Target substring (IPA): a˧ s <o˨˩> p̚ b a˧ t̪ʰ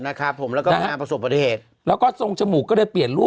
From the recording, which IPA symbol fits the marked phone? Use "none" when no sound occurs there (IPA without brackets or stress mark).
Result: o˨˩